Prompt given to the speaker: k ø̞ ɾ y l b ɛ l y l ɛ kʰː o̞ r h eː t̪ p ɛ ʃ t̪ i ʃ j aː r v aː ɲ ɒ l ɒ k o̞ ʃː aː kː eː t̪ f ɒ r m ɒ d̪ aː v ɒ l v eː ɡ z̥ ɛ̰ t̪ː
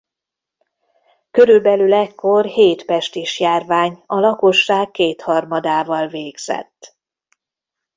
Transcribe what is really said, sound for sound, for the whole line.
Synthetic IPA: k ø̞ ɾ y l b ɛ l y l ɛ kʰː o̞ r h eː t̪ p ɛ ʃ t̪ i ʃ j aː r v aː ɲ ɒ l ɒ k o̞ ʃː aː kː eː t̪ h ɒ r m ɒ d̪ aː v ɒ l v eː ɡ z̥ ɛ̰ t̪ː